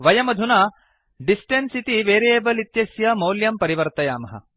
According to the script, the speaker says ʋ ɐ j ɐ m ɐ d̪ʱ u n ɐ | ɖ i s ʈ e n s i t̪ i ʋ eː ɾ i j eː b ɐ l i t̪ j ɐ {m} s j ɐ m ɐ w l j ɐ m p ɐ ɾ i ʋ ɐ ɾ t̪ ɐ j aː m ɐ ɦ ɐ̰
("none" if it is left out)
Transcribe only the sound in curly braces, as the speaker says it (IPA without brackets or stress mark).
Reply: none